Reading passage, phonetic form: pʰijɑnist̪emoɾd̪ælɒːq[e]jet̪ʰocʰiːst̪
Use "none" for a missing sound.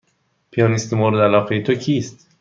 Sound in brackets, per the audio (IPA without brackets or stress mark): e